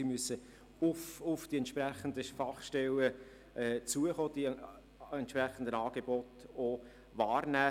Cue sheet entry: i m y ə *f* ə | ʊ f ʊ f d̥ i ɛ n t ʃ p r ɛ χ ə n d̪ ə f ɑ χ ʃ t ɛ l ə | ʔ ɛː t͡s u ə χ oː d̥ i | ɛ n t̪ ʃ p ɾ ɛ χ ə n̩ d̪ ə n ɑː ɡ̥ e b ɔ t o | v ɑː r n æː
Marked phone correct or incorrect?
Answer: incorrect